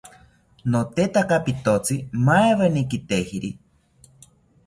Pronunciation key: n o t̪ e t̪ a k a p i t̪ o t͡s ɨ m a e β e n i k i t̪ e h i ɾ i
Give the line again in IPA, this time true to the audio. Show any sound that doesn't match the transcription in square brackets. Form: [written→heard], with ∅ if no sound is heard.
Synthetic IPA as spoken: n o t̪ e t̪ a k a p i t̪ o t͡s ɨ m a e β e n i k i t̪ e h i ɾ i